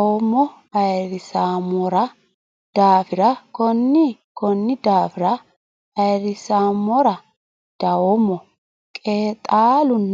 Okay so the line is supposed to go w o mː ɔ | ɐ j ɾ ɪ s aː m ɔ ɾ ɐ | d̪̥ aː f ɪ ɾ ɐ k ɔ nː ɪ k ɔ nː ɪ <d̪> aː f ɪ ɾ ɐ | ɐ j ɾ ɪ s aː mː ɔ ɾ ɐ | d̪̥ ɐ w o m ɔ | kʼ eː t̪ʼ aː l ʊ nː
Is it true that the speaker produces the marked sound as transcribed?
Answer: yes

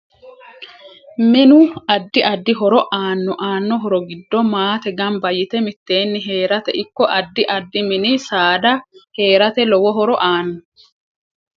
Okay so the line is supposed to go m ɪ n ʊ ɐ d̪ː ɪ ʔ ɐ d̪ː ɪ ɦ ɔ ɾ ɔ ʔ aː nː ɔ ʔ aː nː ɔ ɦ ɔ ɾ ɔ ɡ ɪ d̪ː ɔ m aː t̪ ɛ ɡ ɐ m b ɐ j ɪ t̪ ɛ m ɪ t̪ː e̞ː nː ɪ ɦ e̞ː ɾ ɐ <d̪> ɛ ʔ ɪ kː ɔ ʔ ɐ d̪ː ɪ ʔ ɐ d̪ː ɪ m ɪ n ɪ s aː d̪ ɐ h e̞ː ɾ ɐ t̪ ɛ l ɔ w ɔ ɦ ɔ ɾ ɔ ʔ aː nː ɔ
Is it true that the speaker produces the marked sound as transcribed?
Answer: no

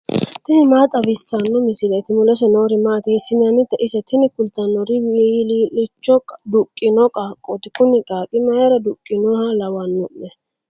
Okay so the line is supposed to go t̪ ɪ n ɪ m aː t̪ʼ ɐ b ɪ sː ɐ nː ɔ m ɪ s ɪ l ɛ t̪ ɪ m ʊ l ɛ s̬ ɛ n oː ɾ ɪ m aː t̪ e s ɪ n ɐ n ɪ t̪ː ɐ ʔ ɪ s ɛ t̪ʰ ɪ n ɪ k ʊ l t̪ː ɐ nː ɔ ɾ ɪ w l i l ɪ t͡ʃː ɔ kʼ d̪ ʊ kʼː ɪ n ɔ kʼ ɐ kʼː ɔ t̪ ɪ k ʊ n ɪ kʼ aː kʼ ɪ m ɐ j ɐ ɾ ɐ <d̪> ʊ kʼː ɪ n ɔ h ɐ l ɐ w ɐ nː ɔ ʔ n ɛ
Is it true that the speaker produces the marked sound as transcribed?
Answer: yes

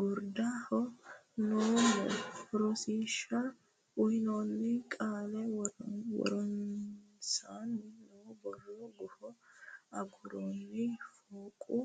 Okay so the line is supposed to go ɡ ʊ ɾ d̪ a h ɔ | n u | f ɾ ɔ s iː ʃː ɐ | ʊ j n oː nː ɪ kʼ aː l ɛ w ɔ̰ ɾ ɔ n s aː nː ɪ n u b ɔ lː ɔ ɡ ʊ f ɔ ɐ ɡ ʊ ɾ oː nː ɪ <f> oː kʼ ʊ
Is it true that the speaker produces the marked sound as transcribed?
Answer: yes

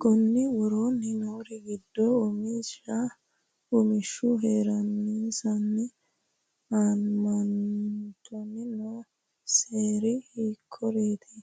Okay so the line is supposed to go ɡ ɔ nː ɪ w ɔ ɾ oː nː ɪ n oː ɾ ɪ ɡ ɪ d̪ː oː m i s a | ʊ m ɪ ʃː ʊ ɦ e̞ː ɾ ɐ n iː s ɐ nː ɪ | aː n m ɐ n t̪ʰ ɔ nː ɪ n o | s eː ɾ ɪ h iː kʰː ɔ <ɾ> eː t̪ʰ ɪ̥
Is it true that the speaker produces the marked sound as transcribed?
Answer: yes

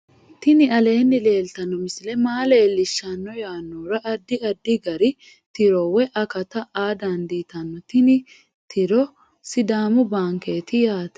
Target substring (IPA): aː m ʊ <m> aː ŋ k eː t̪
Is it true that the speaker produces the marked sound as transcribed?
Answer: no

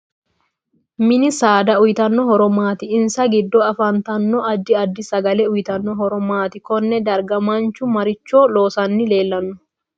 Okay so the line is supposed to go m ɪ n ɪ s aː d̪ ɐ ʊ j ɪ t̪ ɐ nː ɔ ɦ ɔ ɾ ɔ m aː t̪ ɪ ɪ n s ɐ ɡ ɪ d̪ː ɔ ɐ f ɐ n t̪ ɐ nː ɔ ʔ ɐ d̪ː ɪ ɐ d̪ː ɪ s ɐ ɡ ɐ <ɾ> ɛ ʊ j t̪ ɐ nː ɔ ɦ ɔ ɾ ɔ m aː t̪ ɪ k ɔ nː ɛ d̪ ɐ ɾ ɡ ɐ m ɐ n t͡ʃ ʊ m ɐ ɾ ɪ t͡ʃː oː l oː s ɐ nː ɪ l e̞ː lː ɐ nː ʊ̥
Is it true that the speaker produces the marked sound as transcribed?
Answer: no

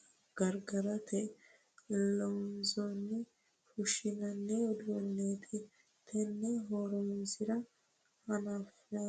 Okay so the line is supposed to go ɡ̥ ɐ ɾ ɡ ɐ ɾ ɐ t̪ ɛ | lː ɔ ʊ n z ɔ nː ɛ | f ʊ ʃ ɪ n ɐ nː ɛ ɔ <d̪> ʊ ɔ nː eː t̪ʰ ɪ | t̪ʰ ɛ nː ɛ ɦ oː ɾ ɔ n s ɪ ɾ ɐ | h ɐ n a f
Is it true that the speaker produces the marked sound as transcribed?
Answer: yes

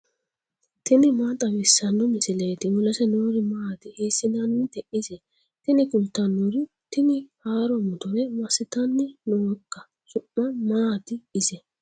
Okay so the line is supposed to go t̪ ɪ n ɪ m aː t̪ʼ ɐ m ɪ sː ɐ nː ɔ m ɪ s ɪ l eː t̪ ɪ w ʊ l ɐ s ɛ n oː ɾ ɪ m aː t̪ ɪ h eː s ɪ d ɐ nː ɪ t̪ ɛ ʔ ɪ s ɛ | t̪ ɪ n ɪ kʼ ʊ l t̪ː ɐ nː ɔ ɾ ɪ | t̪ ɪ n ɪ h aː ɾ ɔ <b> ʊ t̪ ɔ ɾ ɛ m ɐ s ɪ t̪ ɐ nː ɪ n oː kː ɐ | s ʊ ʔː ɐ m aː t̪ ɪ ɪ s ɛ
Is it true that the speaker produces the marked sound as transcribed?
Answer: no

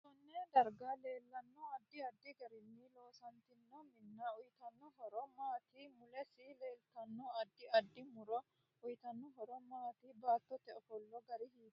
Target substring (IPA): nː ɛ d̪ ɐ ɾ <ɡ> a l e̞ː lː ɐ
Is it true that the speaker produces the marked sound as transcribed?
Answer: yes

